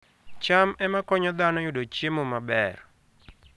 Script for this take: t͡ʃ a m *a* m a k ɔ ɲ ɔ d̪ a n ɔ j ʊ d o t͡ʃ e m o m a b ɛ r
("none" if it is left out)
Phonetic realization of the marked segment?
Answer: ɛ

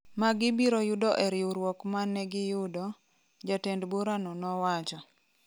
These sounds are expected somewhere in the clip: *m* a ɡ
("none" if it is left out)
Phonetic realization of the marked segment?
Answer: m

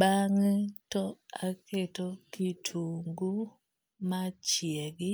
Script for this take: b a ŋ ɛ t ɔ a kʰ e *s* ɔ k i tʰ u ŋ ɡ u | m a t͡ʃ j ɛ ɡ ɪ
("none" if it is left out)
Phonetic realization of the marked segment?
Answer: t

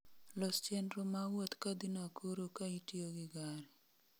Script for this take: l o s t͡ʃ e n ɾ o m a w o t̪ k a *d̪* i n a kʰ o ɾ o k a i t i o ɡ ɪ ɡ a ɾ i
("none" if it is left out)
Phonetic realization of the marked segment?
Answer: d̪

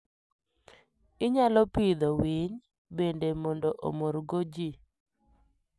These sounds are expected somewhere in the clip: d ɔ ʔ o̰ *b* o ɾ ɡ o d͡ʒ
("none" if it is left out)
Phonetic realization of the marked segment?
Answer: m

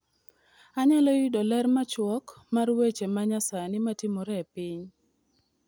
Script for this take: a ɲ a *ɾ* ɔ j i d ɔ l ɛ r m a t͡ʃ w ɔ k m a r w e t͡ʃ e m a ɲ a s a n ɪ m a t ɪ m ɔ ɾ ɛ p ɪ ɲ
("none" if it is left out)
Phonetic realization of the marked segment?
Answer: l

